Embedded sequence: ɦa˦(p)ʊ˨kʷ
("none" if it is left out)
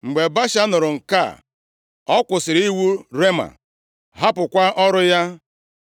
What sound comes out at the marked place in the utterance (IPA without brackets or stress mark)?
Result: p